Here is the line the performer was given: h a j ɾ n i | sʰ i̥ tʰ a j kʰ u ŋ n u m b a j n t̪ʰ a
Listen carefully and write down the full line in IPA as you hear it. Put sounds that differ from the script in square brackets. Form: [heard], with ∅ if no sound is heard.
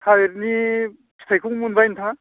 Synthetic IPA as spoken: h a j ɾ n i | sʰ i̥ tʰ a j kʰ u ŋ [m] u [n] b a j n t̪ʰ a